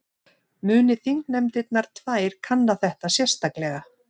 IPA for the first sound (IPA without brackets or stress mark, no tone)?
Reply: m